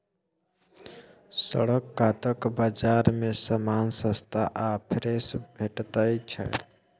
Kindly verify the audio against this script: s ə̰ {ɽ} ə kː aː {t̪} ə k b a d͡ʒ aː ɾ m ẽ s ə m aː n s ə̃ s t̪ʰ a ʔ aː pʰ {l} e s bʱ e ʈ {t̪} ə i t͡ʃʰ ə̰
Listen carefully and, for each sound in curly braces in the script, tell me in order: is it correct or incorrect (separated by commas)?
correct, correct, incorrect, correct